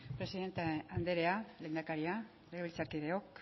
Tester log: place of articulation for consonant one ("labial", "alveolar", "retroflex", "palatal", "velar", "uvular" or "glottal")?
labial